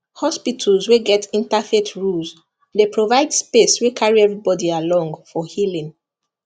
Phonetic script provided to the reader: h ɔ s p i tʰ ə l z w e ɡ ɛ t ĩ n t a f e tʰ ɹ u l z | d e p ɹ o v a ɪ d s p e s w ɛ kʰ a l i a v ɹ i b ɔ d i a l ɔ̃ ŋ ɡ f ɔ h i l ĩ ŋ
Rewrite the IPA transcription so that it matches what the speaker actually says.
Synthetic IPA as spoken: h ɔ s p i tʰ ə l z w e ɡ ɛ t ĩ n t a f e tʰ ɹ u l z | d e p ɹ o v a ɪ d s p e s w e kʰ a ɹ i ɛ v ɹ i b ɔ d i a l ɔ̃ ŋ ɡ f ɔ h i l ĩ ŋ